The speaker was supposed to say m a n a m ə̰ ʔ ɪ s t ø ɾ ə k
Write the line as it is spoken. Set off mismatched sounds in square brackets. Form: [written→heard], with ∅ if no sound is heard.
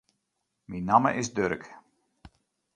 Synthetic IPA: m [a→i] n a m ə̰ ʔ ɪ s [t→d] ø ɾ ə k